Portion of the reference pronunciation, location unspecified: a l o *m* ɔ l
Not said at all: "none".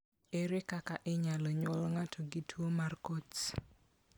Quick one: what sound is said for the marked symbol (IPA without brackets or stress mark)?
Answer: ɲ